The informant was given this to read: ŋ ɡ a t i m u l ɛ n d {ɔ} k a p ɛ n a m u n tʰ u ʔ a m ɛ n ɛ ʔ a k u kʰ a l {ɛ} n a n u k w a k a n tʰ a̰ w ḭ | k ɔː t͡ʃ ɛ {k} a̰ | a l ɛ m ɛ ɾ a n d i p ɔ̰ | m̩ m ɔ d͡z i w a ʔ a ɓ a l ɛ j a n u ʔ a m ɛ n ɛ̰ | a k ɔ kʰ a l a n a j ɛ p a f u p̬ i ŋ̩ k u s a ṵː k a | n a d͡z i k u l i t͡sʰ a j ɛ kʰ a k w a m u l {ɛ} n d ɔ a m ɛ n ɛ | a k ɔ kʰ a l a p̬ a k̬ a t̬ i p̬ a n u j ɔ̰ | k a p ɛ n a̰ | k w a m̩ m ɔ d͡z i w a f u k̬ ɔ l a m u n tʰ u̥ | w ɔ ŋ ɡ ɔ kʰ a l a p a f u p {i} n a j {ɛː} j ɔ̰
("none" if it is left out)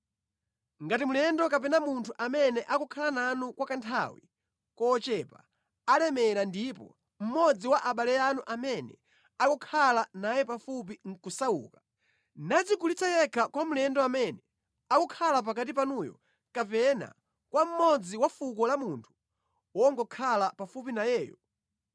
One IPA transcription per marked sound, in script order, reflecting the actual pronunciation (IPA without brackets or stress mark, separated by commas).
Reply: ɔ, a, p, ɛ, i, ɛː